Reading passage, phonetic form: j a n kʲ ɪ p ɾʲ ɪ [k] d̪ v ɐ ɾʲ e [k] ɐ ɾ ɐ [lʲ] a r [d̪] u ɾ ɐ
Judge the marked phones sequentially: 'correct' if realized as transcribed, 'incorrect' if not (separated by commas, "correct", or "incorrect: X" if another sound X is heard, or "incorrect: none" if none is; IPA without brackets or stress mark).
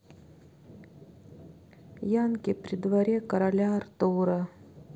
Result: incorrect: none, correct, correct, incorrect: t̪